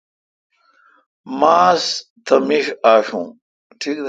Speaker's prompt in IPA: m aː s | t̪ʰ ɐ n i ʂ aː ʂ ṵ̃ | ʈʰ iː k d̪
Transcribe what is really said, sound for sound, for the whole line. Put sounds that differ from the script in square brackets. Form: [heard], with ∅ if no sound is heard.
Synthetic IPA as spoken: m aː s | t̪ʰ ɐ [m] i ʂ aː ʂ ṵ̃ | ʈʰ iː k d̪